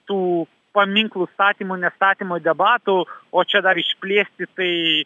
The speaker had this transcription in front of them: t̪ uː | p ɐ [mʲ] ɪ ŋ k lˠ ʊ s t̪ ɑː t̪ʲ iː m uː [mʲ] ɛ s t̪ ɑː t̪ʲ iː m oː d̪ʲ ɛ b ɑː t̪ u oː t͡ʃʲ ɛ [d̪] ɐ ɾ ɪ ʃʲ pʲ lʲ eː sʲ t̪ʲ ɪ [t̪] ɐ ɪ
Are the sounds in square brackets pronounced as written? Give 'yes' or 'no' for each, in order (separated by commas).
yes, no, yes, yes